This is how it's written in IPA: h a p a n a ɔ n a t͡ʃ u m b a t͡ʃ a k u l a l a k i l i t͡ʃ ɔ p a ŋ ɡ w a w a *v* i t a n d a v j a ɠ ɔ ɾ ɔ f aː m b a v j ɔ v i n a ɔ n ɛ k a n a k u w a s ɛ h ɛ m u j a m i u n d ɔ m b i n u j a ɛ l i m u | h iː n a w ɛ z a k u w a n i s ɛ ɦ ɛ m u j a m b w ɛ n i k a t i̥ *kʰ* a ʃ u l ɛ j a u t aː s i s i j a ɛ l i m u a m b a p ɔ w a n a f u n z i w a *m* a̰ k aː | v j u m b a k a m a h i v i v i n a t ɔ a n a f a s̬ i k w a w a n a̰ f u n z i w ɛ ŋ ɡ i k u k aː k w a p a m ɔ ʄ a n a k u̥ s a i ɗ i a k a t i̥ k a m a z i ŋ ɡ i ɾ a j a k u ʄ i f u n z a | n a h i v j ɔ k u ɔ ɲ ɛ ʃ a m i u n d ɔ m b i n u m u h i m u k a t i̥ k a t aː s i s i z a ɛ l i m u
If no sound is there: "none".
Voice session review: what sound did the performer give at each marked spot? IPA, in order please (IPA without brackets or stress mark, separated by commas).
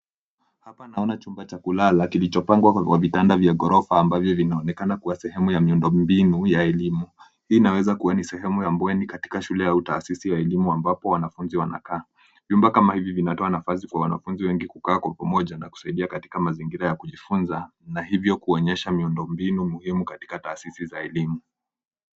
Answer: v, k, n